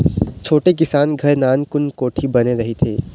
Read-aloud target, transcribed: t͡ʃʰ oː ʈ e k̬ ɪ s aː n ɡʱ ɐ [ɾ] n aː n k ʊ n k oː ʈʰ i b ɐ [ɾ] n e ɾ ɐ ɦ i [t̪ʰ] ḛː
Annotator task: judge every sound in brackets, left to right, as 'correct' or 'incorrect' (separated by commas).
correct, incorrect, correct